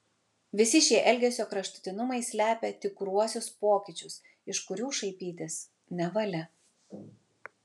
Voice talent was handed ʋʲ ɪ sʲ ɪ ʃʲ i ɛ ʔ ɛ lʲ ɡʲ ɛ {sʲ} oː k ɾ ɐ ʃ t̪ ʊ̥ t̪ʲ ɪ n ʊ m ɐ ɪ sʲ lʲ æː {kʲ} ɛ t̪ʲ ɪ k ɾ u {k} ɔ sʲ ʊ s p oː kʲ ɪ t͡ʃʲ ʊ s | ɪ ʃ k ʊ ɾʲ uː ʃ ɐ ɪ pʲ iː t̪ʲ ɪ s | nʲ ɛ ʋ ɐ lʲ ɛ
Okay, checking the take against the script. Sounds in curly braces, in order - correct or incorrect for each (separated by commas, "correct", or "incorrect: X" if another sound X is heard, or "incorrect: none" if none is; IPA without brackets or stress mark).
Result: correct, incorrect: pʲ, incorrect: none